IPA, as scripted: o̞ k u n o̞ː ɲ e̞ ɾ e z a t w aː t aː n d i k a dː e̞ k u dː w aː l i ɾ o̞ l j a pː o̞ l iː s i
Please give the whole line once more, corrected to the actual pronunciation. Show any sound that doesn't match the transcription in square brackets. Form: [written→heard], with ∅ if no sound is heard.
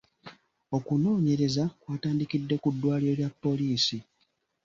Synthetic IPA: o̞ k u n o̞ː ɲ e̞ ɾ e z a [t→k] w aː t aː n d i k [a→i] dː e̞ k u dː w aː l i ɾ o̞ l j a pː o̞ l iː s i